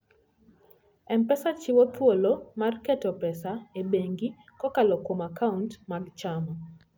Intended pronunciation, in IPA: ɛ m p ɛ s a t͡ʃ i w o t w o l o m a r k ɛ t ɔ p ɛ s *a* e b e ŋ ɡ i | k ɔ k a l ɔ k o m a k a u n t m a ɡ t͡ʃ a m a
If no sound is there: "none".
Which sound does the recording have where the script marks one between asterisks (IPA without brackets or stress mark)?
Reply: a